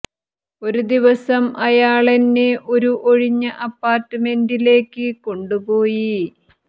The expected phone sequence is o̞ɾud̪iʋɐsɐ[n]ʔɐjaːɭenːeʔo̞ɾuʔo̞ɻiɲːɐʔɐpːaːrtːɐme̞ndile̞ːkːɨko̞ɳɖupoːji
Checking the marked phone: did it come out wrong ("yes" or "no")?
yes